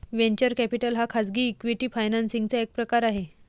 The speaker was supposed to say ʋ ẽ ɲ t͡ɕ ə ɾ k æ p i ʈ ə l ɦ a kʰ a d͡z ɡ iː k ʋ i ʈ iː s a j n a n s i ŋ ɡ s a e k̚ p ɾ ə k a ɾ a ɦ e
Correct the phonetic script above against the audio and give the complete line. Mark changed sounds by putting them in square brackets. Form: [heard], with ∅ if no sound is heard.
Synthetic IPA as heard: ʋ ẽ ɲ t͡ɕ ə ɾ k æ p i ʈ ə l ɦ a kʰ a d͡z ɡ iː k ʋ i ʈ iː [f] a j n a n s i ŋ ɡ [t͡s] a e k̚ p ɾ ə k a ɾ a ɦ e